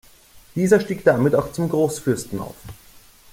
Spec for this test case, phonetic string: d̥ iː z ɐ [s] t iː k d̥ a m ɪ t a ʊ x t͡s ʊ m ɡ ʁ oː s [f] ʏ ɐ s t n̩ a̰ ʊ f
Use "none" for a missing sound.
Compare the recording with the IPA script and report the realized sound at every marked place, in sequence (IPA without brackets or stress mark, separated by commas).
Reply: ʃ, f